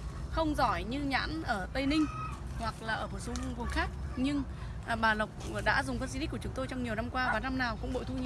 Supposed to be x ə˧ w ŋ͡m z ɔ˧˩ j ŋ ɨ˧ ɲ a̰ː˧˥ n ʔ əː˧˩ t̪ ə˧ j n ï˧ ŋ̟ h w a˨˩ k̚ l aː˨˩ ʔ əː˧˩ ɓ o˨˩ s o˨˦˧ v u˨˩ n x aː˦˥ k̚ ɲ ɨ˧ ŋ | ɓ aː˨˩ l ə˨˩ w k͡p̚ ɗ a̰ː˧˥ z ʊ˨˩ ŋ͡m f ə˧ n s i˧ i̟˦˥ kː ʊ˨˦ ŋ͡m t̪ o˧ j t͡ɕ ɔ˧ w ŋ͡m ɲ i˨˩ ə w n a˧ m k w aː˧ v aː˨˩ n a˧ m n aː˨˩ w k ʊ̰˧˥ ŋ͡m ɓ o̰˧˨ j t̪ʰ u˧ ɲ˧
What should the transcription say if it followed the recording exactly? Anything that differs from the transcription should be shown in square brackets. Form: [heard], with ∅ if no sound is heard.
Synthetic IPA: x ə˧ w ŋ͡m z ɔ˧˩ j [ɲ] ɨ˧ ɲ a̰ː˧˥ n ʔ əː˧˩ t̪ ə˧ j n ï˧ ŋ̟ h w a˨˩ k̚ l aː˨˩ ʔ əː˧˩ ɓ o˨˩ s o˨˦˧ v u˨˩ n x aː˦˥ k̚ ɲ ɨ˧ ŋ | ɓ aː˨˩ l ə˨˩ w k͡p̚ ɗ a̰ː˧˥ z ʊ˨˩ ŋ͡m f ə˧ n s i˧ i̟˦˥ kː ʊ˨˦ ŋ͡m t̪ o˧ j t͡ɕ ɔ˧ w ŋ͡m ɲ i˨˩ ə w n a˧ m k w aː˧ v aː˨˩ n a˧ m n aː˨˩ w k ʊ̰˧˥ ŋ͡m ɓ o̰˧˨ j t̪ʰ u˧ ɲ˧

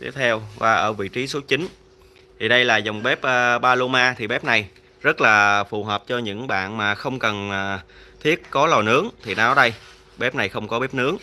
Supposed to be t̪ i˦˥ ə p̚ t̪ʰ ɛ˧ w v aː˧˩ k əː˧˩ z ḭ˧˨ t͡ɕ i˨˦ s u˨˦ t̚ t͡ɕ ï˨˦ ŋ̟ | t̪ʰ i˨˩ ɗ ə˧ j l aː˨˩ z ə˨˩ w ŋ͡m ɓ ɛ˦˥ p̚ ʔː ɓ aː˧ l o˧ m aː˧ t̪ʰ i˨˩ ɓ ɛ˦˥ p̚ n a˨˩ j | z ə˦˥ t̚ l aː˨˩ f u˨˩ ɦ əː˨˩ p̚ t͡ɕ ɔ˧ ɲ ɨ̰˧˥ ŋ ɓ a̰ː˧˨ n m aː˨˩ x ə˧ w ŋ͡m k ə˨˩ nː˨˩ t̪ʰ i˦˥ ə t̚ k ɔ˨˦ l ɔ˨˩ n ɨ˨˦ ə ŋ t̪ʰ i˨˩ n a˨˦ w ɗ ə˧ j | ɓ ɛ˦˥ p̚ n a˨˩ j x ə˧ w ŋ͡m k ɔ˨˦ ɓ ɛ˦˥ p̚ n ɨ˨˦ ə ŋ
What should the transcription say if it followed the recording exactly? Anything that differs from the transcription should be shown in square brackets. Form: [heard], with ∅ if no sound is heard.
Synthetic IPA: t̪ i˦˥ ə p̚ t̪ʰ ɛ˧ w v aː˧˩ [ʔ] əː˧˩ [v] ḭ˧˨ t͡ɕ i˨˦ s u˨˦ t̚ t͡ɕ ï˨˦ ŋ̟ | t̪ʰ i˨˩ ɗ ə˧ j l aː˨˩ z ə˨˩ w ŋ͡m ɓ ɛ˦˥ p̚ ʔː ɓ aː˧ l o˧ m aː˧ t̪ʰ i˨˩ ɓ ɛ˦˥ p̚ n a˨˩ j | z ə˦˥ t̚ l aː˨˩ f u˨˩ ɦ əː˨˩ p̚ t͡ɕ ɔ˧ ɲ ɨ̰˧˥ ŋ ɓ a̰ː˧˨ n m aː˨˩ x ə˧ w ŋ͡m k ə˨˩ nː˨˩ t̪ʰ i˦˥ ə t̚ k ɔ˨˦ l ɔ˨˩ n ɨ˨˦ ə ŋ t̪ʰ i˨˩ n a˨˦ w ɗ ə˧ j | ɓ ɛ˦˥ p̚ n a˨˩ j x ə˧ w ŋ͡m k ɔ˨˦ ɓ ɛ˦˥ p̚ n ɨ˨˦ ə ŋ

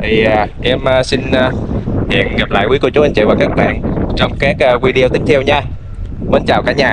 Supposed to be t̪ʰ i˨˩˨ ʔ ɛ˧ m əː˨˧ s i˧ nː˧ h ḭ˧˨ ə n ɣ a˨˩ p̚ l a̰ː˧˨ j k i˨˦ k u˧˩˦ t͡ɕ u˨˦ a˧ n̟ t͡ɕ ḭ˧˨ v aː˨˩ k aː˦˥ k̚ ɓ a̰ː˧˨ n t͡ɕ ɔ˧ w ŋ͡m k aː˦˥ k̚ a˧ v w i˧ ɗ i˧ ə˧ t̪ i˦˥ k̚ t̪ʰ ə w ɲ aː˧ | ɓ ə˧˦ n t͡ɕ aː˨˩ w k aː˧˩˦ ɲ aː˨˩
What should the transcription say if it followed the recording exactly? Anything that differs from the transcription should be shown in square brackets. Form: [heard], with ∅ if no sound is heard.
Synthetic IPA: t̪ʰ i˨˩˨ ʔ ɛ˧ m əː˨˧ s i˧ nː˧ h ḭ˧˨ ə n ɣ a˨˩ p̚ l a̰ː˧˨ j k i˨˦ k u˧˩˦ t͡ɕ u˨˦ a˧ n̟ t͡ɕ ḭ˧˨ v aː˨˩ k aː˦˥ k̚ ɓ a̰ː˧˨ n t͡ɕ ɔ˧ w ŋ͡m k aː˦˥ k̚ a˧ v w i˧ ɗ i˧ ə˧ t̪ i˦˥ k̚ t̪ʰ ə w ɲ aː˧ | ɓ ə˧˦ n t͡ɕ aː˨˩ w k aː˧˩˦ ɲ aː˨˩

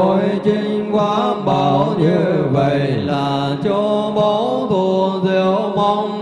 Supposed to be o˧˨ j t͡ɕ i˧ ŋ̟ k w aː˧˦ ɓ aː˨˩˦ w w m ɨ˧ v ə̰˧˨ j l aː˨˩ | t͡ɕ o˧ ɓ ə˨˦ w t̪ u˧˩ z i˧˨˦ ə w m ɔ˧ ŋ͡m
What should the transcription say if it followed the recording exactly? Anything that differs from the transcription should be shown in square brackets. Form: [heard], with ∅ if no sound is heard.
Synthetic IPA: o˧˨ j t͡ɕ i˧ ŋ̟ k w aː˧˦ ɓ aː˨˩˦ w w [ɲ] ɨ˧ v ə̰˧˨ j l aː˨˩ | t͡ɕ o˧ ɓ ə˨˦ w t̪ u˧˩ z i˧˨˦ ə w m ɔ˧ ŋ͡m

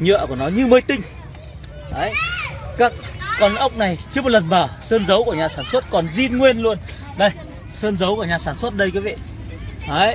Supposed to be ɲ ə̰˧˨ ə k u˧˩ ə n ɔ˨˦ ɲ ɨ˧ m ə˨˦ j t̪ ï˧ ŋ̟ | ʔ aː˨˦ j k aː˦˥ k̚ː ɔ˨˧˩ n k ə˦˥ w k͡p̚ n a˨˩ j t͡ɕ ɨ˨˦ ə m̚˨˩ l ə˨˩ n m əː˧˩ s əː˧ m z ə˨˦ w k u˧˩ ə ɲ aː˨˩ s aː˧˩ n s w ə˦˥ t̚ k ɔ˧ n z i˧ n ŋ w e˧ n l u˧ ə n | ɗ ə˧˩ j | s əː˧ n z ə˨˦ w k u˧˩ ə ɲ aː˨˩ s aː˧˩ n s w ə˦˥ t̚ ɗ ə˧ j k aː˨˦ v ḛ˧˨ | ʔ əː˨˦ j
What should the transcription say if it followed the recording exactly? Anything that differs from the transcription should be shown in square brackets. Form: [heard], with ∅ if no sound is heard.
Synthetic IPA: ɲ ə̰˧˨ ə k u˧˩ ə n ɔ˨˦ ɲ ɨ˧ m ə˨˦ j t̪ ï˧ ŋ̟ | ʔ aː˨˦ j k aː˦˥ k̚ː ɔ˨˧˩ n [ʔ] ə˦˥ w k͡p̚ n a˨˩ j t͡ɕ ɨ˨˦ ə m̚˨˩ l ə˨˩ n m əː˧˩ s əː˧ [n] z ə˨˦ w k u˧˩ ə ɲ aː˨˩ s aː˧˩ n s w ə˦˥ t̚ k [ɔ˨˩] n z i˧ n ŋ w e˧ n l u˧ ə n | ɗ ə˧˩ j | s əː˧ n z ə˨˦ w k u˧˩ ə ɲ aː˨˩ s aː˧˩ n s w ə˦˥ t̚ ɗ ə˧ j k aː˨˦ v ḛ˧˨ | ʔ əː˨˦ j

